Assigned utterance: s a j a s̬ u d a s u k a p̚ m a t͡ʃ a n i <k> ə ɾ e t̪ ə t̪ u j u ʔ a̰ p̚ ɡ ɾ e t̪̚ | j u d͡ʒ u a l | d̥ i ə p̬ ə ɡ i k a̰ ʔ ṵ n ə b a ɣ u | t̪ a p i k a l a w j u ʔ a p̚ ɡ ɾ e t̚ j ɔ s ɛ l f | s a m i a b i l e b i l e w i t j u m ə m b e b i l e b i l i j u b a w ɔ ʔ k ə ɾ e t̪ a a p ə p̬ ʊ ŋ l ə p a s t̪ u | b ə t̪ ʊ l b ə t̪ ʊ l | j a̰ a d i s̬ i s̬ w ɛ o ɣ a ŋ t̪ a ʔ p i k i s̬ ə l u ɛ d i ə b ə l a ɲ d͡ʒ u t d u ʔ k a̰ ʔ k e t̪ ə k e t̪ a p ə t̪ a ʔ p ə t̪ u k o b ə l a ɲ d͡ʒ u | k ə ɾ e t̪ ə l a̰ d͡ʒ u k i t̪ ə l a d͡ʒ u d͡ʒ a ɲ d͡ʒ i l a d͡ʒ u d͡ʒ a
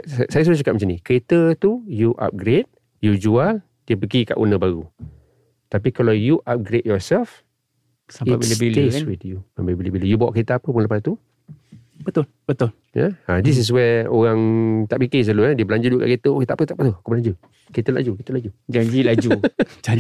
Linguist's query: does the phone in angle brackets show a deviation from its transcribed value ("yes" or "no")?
no